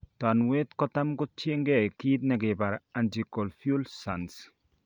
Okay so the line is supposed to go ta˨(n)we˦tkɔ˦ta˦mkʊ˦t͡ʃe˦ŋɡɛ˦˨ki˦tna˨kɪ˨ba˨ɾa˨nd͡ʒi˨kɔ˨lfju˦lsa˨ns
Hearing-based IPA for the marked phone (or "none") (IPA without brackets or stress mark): n